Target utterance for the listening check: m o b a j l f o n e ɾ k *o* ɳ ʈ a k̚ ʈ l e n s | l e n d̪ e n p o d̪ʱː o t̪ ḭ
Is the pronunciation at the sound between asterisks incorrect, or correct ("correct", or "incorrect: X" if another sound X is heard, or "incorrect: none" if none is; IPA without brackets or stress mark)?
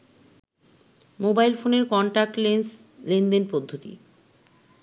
incorrect: ɔ